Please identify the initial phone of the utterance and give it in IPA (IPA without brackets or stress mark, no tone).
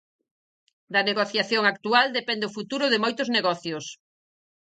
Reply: d̪